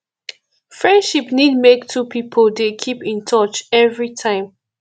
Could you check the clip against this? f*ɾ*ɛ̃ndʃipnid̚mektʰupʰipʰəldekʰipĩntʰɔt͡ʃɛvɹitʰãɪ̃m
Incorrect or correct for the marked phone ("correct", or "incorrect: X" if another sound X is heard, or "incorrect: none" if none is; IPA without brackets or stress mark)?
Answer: incorrect: ɹ